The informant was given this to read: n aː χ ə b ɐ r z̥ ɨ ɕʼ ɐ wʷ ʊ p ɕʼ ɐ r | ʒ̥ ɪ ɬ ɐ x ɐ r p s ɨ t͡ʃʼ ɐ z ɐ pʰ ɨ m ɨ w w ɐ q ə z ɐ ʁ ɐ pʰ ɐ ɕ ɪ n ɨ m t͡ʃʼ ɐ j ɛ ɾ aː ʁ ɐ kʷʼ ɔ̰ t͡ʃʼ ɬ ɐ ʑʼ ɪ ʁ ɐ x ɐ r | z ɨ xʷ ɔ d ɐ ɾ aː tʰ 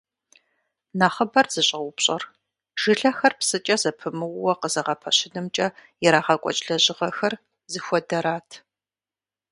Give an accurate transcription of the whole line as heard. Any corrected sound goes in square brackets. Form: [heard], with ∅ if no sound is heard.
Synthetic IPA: n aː χ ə b ɐ r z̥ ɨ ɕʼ ɐ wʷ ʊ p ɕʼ ɐ r | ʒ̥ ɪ ɬ ɐ x ɐ r p s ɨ t͡ʃʼ ɐ z ɐ pʰ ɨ m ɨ w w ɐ q ə z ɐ ʁ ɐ pʰ ɐ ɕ ɪ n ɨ m t͡ʃʼ ɐ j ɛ ɾ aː ʁ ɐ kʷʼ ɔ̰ t͡ʃʼ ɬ ɐ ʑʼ ɪ ʁ ɐ x ɐ r | z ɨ xʷ ɔ d ɐ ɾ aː tʰ